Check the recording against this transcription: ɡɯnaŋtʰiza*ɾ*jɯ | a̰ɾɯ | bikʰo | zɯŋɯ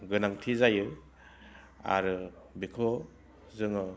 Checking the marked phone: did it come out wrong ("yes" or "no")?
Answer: yes